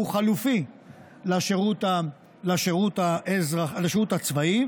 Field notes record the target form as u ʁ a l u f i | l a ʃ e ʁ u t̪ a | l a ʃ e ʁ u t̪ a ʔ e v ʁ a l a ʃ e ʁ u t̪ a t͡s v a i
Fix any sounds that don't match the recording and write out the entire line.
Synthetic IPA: u χ a l u f i | l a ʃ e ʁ u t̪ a | l a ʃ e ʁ u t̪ a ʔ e z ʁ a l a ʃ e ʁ u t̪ a t͡s v a i